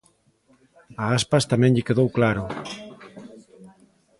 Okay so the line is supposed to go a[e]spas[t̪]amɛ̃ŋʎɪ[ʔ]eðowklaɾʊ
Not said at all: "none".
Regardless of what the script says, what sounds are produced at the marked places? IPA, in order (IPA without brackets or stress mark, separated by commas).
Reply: a, t̪, k